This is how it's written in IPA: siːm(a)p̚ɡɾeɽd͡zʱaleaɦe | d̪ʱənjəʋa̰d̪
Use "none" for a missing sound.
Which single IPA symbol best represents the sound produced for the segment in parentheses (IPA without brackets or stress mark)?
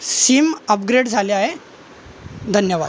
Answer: ə